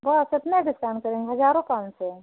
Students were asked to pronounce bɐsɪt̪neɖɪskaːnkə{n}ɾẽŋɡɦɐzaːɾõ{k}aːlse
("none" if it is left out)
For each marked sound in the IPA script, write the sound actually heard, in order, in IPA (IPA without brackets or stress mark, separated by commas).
none, k